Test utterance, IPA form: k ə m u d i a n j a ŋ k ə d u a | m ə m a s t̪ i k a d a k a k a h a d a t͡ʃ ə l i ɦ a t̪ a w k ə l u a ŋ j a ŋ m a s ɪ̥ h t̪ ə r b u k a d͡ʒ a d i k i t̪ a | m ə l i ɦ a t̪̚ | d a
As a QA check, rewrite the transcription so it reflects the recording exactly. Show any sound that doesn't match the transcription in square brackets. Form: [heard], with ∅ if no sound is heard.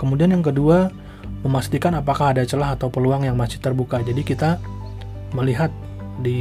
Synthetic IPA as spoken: k ə m u d i a n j a ŋ k ə d u a | m ə m a s t̪ i k a [n] a [p] a k a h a d a t͡ʃ ə l [a] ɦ a t̪ a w [p] ə l u a ŋ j a ŋ m a s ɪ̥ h t̪ ə r b u k a d͡ʒ a d i k i t̪ a | m ə l i ɦ a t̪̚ | d [i]